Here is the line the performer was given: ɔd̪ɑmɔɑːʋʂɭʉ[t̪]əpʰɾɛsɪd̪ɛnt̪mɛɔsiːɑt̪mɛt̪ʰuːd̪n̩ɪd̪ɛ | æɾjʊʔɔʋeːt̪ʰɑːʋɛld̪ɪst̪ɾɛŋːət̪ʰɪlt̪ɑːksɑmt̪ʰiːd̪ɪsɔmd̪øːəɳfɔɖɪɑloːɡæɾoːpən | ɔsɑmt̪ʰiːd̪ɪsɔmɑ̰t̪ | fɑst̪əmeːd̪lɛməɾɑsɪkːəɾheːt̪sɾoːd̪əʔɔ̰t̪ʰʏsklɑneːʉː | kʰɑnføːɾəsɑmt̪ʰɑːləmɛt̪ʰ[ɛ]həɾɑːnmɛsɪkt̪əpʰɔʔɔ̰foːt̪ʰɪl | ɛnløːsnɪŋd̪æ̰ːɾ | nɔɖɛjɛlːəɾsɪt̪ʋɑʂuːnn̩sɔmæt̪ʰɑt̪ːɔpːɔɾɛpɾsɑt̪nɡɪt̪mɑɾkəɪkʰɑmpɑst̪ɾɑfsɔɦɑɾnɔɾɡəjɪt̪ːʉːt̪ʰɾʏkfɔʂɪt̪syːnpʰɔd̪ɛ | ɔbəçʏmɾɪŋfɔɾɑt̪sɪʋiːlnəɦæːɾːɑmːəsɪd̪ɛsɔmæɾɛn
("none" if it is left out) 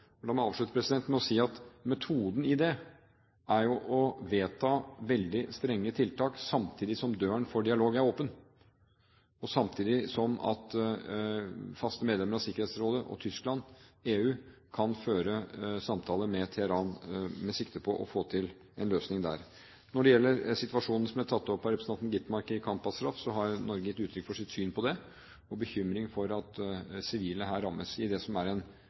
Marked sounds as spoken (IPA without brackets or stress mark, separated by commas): t̪, ɛ